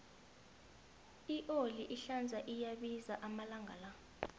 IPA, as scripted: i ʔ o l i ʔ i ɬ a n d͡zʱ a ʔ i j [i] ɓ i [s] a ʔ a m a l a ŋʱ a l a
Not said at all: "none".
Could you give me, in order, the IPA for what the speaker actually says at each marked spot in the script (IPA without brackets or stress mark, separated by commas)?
a, z